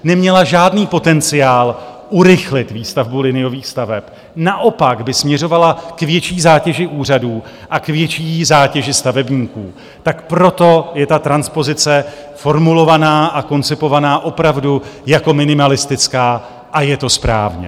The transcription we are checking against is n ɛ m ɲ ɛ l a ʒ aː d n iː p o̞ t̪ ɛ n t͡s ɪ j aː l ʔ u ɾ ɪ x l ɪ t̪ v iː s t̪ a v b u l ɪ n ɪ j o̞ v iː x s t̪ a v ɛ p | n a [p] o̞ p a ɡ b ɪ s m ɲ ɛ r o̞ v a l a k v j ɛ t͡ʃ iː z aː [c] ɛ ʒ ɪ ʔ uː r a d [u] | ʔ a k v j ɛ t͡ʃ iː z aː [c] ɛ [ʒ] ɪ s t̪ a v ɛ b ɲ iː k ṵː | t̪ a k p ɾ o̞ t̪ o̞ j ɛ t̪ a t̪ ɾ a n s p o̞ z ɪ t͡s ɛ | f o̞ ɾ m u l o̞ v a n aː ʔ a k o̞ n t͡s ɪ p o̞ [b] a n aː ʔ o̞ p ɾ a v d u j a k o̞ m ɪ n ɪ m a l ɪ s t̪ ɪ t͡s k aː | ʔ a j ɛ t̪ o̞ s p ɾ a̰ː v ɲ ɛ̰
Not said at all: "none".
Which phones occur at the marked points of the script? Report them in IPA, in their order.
ʔ, c, uː, c, ʒ, v

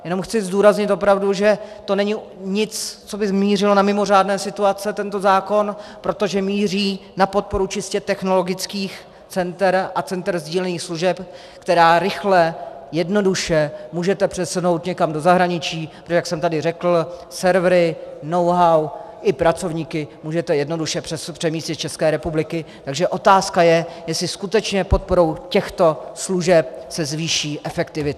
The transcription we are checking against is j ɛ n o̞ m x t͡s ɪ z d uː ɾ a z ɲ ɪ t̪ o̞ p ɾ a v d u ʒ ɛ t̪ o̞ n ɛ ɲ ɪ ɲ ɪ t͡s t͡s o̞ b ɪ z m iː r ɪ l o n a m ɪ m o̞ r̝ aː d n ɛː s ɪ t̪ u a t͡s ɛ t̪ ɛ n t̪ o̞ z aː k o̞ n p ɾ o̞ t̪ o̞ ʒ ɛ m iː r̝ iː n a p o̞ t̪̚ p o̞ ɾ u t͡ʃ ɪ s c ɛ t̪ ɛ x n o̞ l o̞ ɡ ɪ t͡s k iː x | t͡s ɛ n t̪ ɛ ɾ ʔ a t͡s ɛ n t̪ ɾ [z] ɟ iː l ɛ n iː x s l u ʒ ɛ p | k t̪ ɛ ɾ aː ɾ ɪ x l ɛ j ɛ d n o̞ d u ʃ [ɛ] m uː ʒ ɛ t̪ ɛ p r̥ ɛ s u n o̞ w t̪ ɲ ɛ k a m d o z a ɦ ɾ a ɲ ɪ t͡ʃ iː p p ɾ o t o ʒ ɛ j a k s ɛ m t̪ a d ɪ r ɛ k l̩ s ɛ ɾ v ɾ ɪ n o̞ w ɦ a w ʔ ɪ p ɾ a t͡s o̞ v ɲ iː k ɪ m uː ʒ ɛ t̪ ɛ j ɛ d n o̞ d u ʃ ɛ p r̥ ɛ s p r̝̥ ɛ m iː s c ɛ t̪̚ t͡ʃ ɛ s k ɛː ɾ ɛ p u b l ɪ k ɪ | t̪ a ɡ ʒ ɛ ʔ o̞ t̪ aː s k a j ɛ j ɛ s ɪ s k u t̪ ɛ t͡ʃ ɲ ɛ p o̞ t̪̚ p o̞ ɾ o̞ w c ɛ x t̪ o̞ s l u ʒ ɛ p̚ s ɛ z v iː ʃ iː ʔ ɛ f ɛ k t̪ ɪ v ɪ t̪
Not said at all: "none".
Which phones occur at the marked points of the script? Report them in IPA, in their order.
z, ɛ

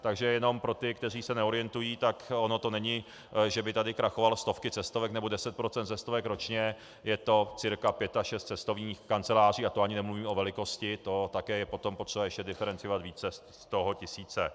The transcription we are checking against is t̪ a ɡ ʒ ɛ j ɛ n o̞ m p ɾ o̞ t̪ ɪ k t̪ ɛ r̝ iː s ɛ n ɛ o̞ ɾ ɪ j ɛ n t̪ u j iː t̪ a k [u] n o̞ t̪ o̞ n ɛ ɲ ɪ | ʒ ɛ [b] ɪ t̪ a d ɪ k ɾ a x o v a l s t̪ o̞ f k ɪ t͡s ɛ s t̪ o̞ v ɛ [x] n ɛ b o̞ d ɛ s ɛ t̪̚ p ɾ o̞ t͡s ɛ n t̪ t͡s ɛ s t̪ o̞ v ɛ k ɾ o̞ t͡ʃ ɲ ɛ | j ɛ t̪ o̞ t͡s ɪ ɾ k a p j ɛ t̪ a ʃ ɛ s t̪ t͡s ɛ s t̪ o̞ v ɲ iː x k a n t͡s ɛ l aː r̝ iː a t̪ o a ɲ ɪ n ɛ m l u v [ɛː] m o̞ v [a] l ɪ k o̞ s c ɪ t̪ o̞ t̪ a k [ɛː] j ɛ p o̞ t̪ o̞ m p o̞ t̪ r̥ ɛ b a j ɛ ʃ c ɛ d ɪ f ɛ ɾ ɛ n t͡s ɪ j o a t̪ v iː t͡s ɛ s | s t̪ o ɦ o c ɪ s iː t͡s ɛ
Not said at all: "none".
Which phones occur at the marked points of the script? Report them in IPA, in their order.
o, b, k, iː, ɛ, ɛː

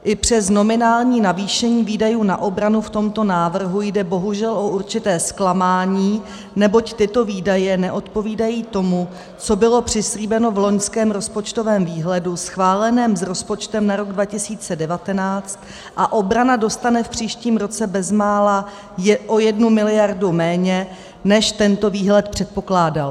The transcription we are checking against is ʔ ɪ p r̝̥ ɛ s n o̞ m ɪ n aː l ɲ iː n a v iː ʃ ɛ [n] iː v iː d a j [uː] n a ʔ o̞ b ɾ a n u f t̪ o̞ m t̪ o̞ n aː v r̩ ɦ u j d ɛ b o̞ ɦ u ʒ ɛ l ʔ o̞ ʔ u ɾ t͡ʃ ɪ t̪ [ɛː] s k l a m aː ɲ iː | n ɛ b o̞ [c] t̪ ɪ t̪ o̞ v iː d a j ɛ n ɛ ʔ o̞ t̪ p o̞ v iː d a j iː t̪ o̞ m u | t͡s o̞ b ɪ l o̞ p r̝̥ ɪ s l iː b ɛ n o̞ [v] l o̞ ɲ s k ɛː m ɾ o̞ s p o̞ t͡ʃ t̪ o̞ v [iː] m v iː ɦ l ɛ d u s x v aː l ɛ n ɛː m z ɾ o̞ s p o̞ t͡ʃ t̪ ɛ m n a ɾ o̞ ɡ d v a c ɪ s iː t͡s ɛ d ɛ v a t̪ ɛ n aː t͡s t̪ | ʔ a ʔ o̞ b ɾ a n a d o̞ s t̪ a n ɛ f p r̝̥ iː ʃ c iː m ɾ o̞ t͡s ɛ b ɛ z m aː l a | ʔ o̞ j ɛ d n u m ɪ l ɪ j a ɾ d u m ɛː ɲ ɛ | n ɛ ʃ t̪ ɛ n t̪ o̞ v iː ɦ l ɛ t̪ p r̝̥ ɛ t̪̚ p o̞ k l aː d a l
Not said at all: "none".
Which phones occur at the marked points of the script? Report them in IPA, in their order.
ɲ, uː, ɛː, c, v, ɛː

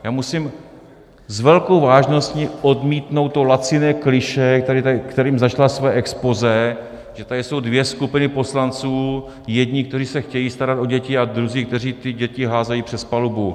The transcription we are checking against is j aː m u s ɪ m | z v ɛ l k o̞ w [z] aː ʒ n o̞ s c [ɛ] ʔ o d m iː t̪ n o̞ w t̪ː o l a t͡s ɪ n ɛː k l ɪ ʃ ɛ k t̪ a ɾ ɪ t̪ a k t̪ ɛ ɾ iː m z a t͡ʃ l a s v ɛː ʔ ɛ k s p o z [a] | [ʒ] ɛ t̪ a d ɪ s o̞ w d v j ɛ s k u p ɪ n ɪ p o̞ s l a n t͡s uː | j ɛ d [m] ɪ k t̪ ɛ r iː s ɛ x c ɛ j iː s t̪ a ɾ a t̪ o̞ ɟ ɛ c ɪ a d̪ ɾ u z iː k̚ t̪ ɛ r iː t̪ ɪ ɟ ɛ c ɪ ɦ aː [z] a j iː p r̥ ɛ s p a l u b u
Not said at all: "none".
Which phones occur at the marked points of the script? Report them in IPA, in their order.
v, i, ɛ, ʒ, ɲ, z

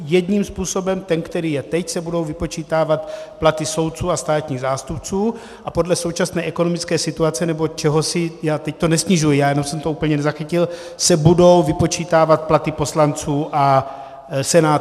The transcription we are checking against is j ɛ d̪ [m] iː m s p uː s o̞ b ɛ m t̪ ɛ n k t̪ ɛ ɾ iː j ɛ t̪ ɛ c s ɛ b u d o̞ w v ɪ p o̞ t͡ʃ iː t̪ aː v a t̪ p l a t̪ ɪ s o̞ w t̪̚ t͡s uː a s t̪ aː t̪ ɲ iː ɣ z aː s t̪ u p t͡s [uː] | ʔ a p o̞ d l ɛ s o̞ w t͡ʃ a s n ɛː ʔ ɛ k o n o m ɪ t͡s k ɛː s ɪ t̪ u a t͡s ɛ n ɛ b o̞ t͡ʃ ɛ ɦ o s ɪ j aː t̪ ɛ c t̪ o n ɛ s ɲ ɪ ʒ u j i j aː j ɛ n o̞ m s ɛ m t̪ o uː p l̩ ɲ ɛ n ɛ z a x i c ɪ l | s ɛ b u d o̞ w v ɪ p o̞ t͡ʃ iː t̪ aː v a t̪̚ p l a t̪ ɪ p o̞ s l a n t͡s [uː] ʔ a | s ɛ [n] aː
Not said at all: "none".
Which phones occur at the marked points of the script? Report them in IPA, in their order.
ɲ, uː, uː, n

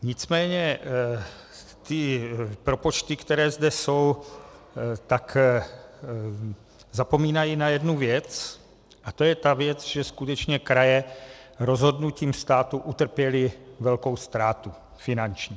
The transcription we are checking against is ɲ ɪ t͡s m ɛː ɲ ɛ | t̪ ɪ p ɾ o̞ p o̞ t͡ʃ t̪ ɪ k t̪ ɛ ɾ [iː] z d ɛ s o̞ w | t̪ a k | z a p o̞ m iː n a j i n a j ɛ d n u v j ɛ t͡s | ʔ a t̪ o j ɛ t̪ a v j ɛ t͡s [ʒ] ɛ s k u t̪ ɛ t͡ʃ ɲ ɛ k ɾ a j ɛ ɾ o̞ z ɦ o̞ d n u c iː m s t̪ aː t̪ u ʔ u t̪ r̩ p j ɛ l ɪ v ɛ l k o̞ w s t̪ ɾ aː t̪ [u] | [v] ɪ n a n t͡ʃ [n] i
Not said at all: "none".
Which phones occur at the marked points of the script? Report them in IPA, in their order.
ɛː, ʒ, u, f, ɲ

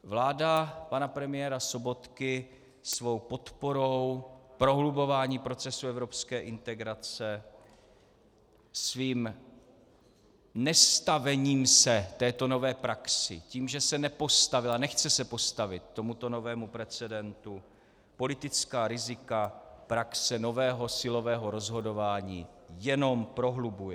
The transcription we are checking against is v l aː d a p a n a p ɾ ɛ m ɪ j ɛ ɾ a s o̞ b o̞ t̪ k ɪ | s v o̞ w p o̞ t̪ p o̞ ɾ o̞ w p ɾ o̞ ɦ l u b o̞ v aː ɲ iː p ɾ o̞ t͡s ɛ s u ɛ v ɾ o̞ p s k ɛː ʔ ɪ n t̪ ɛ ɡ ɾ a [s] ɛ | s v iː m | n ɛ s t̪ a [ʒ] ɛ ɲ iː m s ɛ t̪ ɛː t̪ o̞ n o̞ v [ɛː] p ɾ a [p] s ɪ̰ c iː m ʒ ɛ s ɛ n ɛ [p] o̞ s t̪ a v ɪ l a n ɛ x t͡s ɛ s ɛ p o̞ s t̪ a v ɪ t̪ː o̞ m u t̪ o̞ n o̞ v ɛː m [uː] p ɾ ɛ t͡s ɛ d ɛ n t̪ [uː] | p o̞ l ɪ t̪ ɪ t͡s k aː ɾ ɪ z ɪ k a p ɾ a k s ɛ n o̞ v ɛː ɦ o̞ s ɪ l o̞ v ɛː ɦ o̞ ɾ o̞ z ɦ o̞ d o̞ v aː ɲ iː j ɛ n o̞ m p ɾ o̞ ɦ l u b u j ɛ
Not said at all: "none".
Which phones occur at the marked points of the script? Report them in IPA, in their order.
t͡s, v, ɛː, k, p, u, u

